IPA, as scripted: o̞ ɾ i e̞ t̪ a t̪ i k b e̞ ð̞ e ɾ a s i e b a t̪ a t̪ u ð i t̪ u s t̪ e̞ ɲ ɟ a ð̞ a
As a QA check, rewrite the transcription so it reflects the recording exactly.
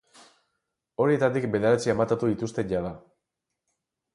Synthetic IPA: o̞ ɾ i e̞ t̪ a t̪ i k b e̞ ð̞ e ɾ a t͡s i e m a t̪ a t̪ u ð i t̪ u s t̪ e̞ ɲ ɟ a ð̞ a